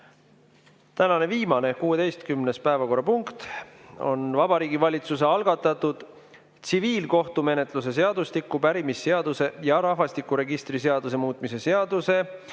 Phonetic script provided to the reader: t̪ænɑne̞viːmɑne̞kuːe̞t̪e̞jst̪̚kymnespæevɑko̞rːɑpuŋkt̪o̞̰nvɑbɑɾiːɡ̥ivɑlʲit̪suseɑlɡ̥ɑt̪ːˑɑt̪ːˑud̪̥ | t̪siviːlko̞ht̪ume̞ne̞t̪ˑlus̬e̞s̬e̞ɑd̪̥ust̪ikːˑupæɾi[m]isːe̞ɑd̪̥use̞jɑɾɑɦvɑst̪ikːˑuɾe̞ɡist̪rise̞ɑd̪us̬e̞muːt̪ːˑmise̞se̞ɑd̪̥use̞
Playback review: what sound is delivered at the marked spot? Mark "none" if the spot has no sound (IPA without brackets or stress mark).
m